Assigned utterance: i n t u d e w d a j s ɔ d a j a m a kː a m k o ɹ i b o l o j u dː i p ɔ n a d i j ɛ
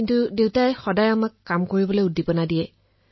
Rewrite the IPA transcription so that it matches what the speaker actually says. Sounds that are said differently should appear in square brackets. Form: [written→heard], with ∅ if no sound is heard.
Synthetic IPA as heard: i n t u d e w [d→t] a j [s→x] ɔ d a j a m a kː a m k o ɹ i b [o→ɔ] l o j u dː i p ɔ n a d i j ɛ

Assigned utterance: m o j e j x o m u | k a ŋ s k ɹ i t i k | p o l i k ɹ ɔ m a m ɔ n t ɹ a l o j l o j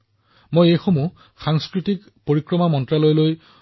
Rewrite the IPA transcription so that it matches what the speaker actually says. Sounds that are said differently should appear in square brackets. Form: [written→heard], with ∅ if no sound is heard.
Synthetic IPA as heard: m o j e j x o m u | [k→x] a ŋ s k ɹ i t i k | p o [l→ɹ] i k ɹ ɔ m a m ɔ n t ɹ a l o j l o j

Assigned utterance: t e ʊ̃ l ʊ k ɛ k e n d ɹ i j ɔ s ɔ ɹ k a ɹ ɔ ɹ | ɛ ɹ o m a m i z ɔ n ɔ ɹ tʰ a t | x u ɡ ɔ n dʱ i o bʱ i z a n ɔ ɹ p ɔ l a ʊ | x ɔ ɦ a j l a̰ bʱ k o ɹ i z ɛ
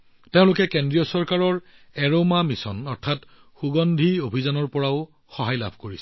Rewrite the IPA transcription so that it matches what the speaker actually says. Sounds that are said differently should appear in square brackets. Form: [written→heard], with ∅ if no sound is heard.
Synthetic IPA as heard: t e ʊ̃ l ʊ k ɛ k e n d ɹ i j ɔ s ɔ ɹ k a ɹ ɔ ɹ | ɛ ɹ o m a m i [z→s] ɔ n ɔ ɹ tʰ a t | x u ɡ ɔ n dʱ i o bʱ i z a n ɔ ɹ p ɔ [l→ɹ] a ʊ | x ɔ ɦ a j l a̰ bʱ k o ɹ i [z→s] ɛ

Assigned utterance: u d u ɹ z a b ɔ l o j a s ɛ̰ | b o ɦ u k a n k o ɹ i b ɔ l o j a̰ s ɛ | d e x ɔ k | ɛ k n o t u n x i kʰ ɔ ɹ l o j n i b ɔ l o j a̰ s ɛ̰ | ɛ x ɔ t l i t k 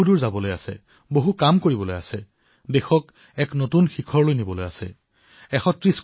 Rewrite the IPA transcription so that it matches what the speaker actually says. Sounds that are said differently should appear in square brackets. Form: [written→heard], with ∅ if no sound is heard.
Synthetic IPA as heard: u d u ɹ z a b ɔ l o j a s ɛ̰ | b o ɦ u k a [n→m] k o ɹ i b ɔ l o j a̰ s ɛ | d e x ɔ k | ɛ k n o t u n x i kʰ ɔ ɹ l o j n i b ɔ l o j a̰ s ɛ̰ | ɛ x ɔ t [l→ɹ] i [t→s] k

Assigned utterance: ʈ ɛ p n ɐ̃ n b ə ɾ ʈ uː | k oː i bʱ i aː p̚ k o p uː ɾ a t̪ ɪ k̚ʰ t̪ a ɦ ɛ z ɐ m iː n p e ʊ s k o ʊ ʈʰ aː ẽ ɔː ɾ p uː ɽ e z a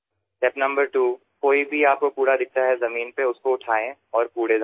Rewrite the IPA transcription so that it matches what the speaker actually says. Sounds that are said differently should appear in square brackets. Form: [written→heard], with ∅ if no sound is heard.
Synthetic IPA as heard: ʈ ɛ p n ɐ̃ [n→m] b ə ɾ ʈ uː | k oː i bʱ i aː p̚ k o p uː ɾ a [t̪→d̪] ɪ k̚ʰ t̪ a ɦ ɛ z ɐ m iː n p e ʊ s k o ʊ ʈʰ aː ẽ ɔː ɾ p uː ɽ e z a

